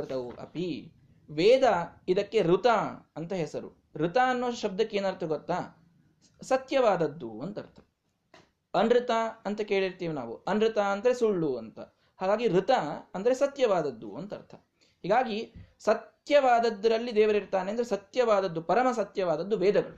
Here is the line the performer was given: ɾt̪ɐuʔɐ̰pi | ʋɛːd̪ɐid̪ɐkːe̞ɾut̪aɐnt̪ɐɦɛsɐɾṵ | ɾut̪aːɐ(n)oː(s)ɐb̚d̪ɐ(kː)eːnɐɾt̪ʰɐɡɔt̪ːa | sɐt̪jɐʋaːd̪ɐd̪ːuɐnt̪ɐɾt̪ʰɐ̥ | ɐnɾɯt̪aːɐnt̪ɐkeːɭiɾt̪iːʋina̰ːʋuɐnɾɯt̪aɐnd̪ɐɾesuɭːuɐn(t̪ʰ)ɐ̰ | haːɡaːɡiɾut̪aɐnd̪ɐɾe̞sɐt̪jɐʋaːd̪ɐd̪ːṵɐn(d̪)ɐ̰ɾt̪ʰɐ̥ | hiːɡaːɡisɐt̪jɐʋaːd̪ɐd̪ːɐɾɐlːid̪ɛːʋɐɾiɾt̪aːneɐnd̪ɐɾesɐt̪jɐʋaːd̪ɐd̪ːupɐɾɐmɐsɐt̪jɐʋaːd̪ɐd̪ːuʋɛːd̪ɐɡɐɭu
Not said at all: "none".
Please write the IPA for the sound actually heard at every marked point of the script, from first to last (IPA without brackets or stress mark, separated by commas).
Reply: nː, ʃ, kː, t̪, t̪